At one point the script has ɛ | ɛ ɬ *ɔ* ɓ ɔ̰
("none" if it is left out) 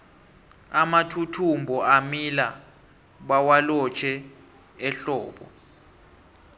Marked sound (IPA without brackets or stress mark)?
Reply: ɔː